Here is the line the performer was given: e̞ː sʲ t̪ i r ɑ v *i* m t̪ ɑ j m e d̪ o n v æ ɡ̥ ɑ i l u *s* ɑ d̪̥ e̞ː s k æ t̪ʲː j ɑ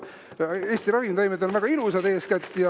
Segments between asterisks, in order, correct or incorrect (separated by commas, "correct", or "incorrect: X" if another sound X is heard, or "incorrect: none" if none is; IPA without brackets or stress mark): correct, correct